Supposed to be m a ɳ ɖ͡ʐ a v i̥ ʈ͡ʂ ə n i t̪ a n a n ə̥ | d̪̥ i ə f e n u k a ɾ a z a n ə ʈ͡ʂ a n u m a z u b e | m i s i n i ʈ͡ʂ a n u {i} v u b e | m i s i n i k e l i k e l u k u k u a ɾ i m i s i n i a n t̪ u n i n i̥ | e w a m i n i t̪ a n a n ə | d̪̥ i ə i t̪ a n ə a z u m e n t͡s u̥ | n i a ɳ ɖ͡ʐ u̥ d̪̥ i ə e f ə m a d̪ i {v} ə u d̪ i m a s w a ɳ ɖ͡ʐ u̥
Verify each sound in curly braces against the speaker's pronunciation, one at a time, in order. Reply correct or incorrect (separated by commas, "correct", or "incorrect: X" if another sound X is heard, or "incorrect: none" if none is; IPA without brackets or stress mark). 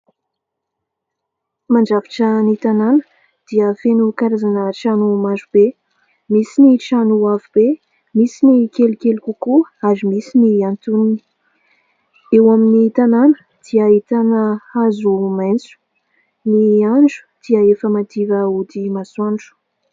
incorrect: a, correct